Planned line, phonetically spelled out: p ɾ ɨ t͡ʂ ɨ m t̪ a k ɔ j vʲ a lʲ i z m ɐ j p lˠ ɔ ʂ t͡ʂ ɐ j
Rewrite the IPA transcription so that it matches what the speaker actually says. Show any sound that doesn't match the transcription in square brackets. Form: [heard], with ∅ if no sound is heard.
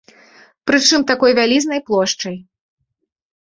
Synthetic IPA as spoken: p ɾ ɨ t͡ʂ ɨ m t̪ a k ɔ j vʲ a lʲ i z [n] ɐ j p lˠ ɔ ʂ t͡ʂ ɐ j

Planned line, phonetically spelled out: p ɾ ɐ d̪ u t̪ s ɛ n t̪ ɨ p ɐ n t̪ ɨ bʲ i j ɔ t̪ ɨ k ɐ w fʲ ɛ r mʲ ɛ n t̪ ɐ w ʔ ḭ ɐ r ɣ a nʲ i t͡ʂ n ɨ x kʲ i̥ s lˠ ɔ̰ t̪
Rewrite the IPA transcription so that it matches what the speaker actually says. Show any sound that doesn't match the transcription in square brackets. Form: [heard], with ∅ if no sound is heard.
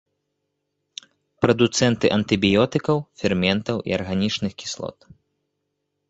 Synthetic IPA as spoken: p ɾ ɐ d̪ u t̪ s ɛ n t̪ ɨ [ʔ] ɐ n t̪ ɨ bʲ i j ɔ t̪ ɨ k ɐ w fʲ ɛ r mʲ ɛ n t̪ ɐ w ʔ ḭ ɐ r ɣ a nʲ i t͡ʂ n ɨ x kʲ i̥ s lˠ ɔ̰ t̪

